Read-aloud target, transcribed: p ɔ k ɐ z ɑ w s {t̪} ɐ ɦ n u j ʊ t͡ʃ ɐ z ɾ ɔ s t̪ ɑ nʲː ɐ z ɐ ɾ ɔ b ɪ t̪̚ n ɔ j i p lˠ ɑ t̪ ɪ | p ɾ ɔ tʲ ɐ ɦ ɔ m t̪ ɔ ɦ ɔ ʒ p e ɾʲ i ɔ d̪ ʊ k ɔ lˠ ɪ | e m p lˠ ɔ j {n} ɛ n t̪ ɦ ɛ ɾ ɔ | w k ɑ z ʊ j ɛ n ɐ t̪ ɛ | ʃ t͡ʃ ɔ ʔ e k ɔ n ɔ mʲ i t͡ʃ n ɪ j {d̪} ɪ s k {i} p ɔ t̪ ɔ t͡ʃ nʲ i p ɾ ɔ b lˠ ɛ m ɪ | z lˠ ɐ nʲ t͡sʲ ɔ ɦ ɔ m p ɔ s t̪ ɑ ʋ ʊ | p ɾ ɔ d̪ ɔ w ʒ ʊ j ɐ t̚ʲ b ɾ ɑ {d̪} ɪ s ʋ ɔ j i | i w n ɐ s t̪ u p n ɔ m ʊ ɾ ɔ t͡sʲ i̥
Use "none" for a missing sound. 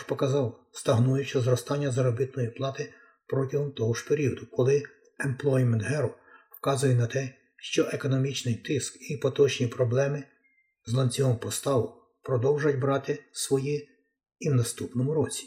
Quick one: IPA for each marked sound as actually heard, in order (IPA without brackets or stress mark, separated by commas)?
t̪, m, t̪, i, t̪